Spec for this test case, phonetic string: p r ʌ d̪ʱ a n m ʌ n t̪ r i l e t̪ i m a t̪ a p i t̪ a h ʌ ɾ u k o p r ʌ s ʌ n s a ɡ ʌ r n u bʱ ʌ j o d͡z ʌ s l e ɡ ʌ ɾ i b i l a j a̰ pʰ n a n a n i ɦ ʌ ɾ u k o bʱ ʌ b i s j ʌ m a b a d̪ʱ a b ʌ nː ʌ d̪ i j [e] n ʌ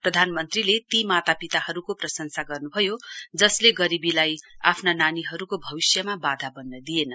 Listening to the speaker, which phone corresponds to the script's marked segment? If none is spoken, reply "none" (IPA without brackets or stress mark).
e